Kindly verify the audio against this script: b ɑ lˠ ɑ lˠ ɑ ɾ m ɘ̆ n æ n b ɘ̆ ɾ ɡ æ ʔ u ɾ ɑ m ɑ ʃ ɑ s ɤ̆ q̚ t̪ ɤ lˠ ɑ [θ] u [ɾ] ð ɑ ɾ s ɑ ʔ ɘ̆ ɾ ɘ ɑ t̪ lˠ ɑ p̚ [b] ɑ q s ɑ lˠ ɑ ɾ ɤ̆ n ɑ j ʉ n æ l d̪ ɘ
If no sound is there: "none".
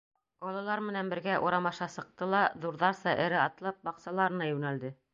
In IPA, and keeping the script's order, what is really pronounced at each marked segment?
ð, ɾ, b

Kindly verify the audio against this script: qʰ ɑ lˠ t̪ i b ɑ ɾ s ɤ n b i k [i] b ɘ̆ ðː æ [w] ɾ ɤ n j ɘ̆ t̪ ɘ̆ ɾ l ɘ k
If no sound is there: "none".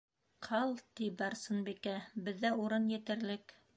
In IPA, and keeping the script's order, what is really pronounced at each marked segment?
æ, u

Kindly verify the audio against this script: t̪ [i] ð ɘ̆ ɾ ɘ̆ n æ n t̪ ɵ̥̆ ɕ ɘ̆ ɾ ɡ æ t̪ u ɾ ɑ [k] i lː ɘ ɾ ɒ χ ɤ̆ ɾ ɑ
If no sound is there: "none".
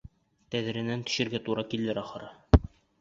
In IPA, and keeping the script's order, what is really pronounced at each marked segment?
æ, k

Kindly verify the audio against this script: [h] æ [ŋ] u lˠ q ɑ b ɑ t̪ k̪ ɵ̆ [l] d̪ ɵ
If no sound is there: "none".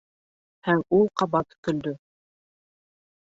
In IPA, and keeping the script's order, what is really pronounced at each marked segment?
h, ŋ, l

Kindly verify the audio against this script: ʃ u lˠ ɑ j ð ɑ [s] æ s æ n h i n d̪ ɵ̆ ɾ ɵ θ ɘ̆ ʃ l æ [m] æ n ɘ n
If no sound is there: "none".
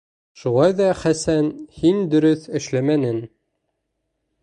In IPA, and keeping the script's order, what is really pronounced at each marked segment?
χ, m

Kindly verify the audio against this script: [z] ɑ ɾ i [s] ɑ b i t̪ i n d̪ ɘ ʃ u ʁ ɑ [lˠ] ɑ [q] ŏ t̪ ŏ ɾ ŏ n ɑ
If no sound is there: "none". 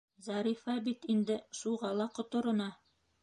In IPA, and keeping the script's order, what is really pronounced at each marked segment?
z, f, lˠ, q

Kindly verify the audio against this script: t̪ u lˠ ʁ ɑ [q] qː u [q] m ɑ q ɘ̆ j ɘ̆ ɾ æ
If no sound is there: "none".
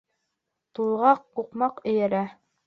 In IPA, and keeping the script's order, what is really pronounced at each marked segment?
q, q

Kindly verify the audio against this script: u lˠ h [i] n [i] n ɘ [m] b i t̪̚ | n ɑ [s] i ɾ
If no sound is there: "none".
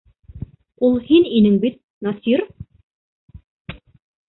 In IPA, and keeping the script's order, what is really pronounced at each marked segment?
i, i, ŋ, s

